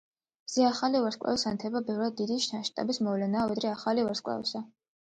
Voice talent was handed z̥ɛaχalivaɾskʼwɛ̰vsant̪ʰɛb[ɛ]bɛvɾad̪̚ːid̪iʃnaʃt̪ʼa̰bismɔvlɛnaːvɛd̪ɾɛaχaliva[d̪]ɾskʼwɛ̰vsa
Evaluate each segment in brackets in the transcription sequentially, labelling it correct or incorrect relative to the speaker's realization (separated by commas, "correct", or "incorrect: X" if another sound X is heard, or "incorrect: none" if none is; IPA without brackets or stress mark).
incorrect: a, incorrect: none